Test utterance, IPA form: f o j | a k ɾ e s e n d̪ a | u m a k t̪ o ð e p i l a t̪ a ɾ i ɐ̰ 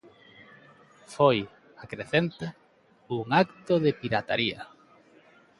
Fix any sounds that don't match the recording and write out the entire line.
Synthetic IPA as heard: f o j | a k ɾ e θ e n t̪ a | u ŋ a k t̪ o ð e p i ɾ a t̪ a ɾ i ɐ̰